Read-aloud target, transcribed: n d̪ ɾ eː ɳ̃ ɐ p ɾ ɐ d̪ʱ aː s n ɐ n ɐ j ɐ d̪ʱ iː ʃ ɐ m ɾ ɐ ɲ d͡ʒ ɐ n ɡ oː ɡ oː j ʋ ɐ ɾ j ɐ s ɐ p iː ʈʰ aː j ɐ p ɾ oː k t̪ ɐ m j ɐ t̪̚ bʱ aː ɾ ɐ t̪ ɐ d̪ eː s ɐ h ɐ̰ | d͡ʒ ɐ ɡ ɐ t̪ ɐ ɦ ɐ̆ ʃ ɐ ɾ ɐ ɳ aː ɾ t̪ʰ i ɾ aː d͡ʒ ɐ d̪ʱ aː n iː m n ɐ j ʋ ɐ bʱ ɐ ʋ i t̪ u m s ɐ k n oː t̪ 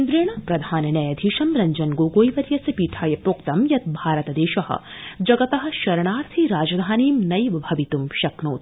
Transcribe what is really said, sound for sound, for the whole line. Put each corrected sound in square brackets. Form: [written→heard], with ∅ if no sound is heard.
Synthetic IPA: n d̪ ɾ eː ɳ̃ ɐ p ɾ ɐ d̪ʱ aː [s→∅] n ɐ n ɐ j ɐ d̪ʱ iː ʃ ɐ m ɾ ɐ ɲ d͡ʒ ɐ n ɡ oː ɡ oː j ʋ ɐ ɾ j ɐ s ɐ p iː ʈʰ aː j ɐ p ɾ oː k t̪ ɐ m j ɐ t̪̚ bʱ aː ɾ ɐ t̪ ɐ d̪ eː [s→ʃ] ɐ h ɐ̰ | d͡ʒ ɐ ɡ ɐ t̪ ɐ ɦ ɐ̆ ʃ ɐ ɾ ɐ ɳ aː ɾ t̪ʰ i ɾ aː d͡ʒ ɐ d̪ʱ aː n iː m n ɐ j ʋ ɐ bʱ ɐ ʋ i t̪ u m [s→ʃ] ɐ k n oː t̪